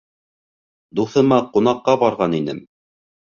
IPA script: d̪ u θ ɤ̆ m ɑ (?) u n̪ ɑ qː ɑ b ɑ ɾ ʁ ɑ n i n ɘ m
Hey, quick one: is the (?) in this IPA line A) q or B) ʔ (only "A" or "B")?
A